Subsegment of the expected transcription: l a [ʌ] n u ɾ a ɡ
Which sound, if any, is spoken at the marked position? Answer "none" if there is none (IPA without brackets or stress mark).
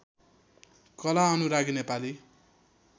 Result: ʌ